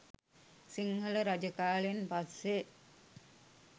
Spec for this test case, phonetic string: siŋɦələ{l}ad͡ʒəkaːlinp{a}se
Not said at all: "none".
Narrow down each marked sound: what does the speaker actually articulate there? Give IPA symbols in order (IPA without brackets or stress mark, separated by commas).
ɾ, a